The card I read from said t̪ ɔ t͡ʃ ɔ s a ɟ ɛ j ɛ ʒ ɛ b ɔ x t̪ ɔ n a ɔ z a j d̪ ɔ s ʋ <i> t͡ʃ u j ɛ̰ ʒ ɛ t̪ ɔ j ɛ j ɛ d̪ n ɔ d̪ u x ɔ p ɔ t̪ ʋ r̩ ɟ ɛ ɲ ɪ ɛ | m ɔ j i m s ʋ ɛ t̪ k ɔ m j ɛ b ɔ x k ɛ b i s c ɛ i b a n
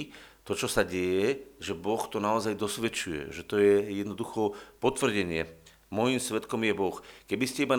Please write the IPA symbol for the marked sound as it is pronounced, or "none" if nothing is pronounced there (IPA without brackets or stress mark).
ɛ